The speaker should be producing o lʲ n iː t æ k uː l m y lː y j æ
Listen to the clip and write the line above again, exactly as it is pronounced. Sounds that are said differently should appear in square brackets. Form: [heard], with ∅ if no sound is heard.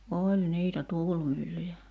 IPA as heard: o lʲ n iː t æ [t] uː l m y lː y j æ